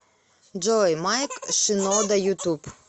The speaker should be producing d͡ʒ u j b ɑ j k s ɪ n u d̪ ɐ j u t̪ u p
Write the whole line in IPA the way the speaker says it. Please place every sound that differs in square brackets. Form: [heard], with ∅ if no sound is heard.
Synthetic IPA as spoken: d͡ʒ [ɔ] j [m] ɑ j k [ʃ] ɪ n [ɔ] d̪ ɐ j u t̪ u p